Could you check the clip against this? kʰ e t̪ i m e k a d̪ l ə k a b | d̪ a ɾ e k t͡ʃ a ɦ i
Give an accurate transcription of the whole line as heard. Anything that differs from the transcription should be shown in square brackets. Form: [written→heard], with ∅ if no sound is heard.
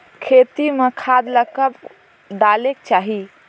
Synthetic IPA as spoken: kʰ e t̪ i m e [k→kʰ] a d̪ l ə k [a→ə] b | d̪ a [ɾ→l] e k t͡ʃ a ɦ i